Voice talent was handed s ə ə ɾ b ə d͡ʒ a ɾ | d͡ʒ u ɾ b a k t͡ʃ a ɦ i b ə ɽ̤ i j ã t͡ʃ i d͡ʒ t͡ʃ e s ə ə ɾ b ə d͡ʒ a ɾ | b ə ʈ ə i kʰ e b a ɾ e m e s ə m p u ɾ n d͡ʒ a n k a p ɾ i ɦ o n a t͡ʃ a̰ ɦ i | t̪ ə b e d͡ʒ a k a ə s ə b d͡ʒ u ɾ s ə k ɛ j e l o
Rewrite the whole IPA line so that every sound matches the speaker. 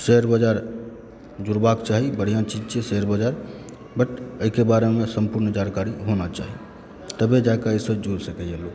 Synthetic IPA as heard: s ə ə ɾ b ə d͡ʒ a ɾ | d͡ʒ u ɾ b a k t͡ʃ a ɦ i b ə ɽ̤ i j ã t͡ʃ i d͡ʒ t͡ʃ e s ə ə ɾ b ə d͡ʒ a ɾ | b ə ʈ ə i k e b a ɾ e m e s ə m p u ɾ n d͡ʒ a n k a ɾ i ɦ o n a t͡ʃ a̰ ɦ i | t̪ ə b e d͡ʒ a k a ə s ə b d͡ʒ u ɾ s ə k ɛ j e l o